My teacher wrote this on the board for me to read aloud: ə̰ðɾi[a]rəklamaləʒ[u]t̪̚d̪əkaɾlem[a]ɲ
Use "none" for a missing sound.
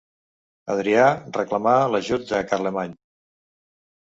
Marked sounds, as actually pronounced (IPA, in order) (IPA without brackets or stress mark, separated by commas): a, u, a